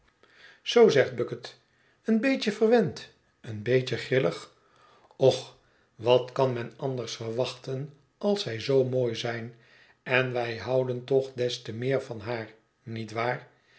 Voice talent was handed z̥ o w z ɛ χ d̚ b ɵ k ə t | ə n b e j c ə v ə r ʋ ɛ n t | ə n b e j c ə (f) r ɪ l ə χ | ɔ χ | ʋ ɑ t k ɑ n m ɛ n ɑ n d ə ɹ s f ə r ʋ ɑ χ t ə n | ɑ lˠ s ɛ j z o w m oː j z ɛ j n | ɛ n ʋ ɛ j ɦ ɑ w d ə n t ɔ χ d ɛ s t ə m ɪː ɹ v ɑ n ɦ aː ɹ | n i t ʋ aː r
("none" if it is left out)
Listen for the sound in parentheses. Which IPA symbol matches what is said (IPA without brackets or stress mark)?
χ